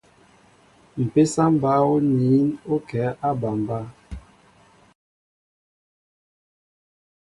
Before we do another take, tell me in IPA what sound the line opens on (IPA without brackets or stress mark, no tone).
m̩